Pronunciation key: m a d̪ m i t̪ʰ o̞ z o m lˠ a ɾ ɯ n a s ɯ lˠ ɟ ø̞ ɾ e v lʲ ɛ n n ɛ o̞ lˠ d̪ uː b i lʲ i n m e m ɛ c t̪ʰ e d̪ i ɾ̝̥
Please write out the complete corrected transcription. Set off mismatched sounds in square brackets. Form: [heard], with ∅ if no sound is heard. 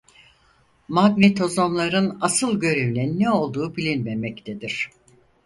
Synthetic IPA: m a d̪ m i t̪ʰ o̞ z o m lˠ a ɾ ɯ n a s ɯ lˠ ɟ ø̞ ɾ e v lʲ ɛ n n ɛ o̞ lˠ d̪ uː b i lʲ i n m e m ɛ c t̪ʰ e d̪ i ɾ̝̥